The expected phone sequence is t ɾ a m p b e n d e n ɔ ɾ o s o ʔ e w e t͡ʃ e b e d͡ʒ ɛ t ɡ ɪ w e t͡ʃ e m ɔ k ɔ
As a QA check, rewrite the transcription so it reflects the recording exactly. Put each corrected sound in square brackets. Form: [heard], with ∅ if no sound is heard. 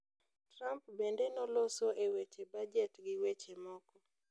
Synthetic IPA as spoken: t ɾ a m p b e n d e n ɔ [l] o s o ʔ e w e t͡ʃ e b [a] d͡ʒ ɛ t ɡ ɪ w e t͡ʃ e m ɔ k ɔ

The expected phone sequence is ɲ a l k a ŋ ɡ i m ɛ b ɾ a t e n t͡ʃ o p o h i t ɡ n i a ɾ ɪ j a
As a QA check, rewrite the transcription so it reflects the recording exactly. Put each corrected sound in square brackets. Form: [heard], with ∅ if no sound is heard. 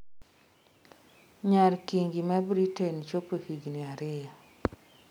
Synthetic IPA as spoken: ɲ a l k [i] ŋ ɡ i m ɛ b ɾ [i] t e n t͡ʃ o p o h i [∅] ɡ n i a ɾ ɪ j a

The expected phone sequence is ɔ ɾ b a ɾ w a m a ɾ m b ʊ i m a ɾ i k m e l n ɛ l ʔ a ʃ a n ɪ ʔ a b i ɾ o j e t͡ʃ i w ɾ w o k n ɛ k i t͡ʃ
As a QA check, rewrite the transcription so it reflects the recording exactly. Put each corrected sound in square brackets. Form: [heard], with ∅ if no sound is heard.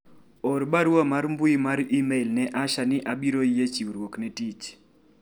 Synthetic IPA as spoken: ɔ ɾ b a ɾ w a m a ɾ m b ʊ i m a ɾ i [∅] m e l n ɛ [∅] ʔ a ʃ a n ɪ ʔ a b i ɾ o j e t͡ʃ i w ɾ w o k n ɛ [t] i t͡ʃ

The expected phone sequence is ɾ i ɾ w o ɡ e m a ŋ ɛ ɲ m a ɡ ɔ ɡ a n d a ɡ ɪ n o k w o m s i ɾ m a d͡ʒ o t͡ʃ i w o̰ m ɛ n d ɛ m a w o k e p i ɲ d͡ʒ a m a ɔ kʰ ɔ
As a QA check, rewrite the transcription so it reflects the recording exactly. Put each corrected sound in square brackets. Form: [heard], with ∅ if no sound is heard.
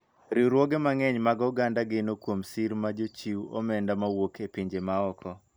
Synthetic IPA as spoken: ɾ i ɾ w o ɡ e m a ŋ ɛ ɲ m a ɡ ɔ ɡ a n d a ɡ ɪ n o k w o m s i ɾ m a d͡ʒ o t͡ʃ i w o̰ m ɛ n d [a] m a w o k e p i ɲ d͡ʒ [e] m a ɔ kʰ ɔ

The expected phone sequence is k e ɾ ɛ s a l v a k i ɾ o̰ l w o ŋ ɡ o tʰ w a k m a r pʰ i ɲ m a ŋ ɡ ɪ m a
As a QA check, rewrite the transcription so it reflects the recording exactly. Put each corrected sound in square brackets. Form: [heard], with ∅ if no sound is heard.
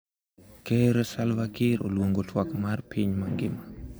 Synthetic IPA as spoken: k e ɾ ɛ s a l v a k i ɾ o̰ l w o ŋ ɡ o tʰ w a k m a r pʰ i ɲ m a ŋ ɡ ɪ m a

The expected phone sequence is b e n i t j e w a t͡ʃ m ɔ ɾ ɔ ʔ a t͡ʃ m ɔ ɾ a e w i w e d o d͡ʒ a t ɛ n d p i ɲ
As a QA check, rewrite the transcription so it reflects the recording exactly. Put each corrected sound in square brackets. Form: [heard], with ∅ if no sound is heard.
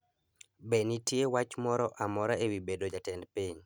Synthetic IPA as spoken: b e n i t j e w a t͡ʃ m ɔ ɾ ɔ ʔ a [∅] m ɔ ɾ a e w i [b] e d o d͡ʒ a t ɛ n d p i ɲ

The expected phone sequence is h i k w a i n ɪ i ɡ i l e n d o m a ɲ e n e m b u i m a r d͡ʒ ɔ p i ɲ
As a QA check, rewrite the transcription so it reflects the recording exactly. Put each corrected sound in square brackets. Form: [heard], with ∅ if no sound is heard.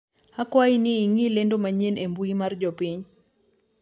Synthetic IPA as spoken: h [a] k w a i n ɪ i [ŋ] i l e n d o m a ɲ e n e m b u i m a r d͡ʒ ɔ p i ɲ

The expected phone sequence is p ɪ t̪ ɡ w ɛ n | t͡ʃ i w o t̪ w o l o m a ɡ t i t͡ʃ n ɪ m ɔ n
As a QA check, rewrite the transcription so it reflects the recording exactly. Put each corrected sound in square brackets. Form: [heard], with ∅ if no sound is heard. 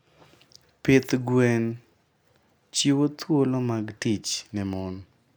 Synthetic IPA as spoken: p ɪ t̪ ɡ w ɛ n | t͡ʃ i w o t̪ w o l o m a ɡ t i t͡ʃ n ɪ m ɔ n

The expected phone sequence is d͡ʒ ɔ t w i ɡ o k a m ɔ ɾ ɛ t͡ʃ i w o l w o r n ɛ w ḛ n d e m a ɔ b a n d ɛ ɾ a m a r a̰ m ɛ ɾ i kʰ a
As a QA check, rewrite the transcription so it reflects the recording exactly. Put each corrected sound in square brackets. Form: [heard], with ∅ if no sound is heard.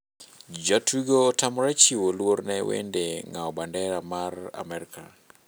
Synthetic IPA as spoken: d͡ʒ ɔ t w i ɡ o [t] a m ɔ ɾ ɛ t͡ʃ i w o l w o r n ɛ w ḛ n d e [ŋ] a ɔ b a n d ɛ ɾ a m a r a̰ m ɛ ɾ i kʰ a

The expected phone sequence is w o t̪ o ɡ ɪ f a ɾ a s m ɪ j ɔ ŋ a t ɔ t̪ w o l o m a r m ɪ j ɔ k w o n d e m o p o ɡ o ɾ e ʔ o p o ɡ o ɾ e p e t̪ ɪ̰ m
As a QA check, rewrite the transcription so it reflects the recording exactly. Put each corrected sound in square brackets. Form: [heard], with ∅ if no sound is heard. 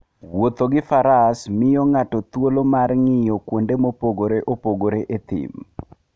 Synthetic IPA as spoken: w o t̪ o ɡ ɪ f a ɾ a s m ɪ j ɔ ŋ a t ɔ t̪ w o l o m a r [ŋ] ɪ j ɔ k w o n d e m o p o ɡ o ɾ e ʔ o p o ɡ o ɾ e [ʔ] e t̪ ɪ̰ m

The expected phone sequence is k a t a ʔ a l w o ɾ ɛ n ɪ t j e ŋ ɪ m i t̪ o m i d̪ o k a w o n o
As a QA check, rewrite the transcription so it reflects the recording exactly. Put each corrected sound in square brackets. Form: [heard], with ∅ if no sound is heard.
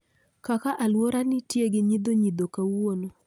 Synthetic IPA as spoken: k a [k] a ʔ a l w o ɾ [a] n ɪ t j e [ɡ] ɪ [ɲ] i [d̪] o [ɲ] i d̪ o k a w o n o

